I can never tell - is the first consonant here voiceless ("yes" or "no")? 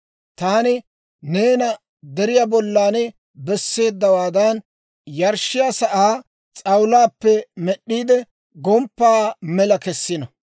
yes